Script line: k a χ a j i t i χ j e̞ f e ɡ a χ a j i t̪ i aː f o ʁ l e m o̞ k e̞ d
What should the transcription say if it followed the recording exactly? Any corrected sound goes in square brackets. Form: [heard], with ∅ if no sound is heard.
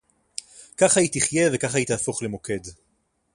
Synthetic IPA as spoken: k a χ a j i t i χ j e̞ [v] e [k] a χ a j i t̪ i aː f o [χ] l e m o̞ k e̞ d